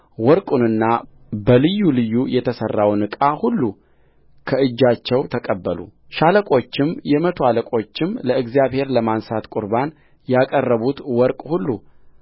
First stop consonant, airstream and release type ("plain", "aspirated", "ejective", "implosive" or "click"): ejective